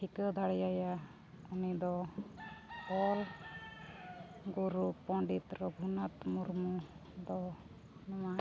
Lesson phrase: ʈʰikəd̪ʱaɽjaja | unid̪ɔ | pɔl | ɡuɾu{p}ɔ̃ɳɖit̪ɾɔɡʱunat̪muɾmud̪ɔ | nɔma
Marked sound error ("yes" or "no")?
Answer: no